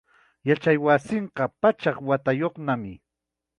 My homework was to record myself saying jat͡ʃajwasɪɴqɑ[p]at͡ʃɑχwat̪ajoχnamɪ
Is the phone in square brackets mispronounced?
no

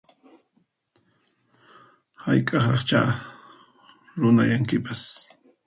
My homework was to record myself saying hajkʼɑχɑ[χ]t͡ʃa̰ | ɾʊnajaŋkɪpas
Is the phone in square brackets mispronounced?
no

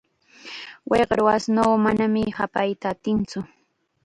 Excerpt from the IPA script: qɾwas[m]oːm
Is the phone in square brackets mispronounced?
yes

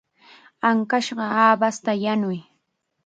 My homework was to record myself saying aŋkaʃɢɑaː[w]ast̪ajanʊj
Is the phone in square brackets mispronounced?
yes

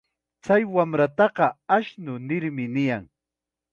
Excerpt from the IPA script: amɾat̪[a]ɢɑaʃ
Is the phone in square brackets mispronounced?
yes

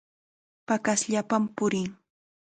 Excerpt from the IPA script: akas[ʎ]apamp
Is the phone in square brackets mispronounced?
no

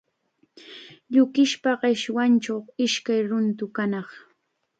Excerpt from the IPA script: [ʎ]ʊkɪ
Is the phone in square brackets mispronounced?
no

